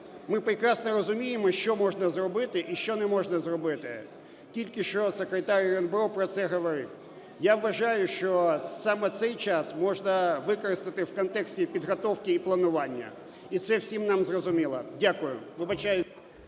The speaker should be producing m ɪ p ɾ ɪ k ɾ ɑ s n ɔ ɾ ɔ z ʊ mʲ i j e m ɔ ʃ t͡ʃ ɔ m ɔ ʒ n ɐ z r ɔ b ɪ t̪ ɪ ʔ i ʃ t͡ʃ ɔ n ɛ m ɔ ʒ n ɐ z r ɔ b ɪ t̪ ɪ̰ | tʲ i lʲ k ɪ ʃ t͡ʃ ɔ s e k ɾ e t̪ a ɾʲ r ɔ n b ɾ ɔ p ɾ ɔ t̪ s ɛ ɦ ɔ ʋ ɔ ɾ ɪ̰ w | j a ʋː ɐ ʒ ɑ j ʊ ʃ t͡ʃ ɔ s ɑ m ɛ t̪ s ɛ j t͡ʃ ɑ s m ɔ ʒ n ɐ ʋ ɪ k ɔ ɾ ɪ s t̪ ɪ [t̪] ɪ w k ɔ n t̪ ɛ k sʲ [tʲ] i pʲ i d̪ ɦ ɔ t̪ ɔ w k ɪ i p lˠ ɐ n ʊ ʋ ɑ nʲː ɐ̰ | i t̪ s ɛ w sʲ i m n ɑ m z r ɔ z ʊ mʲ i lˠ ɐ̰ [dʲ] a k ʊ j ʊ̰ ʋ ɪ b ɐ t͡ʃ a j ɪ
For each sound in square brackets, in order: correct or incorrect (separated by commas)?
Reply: correct, correct, correct